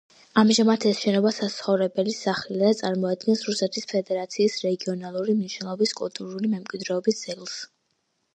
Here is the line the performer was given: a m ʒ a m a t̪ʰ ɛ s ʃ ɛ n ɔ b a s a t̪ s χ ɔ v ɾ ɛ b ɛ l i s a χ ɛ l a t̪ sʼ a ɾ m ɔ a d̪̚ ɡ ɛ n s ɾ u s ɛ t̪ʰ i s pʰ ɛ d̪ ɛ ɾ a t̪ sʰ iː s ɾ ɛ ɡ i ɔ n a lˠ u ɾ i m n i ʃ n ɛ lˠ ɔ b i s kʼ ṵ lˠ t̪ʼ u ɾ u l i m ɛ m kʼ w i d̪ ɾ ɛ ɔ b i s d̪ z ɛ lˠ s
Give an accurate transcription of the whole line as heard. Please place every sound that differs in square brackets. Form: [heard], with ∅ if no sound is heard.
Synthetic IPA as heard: a m ʒ a m a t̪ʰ ɛ s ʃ ɛ n ɔ b a s a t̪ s χ ɔ v ɾ ɛ b ɛ l i s a χ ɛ l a t̪ sʼ a ɾ m ɔ a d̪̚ ɡ ɛ n s ɾ u s ɛ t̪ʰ i s pʰ ɛ d̪ ɛ ɾ a t̪ sʰ iː s ɾ ɛ ɡ i ɔ n a lˠ u ɾ i m n i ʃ n ɛ lˠ ɔ b i s kʼ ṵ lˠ t̪ʼ u ɾ u l i m ɛ m kʼ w i d̪ ɾ ɛ ɔ b i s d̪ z ɛ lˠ s